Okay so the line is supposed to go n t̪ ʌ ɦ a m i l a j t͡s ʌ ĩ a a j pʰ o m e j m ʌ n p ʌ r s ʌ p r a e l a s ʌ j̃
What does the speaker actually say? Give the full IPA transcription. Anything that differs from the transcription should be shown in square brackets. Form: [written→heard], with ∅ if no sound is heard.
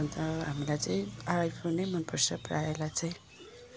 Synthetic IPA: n t̪ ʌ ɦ a m i l a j t͡s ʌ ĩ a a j pʰ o [m→n] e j m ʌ n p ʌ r s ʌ p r a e l a [s→t͡s] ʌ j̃